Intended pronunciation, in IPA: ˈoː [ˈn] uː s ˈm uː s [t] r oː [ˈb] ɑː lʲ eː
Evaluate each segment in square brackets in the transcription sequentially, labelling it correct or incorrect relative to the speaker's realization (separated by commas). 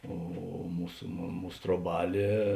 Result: incorrect, correct, correct